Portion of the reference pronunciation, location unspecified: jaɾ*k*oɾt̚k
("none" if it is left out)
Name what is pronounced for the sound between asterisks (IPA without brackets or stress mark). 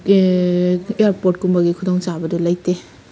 p